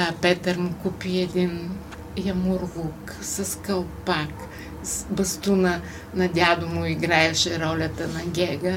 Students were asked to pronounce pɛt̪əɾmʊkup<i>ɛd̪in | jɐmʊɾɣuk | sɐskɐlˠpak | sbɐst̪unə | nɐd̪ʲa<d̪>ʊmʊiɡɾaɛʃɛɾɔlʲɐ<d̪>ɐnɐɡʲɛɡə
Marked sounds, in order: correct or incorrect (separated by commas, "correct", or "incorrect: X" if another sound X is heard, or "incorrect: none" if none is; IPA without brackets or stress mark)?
correct, correct, incorrect: t̪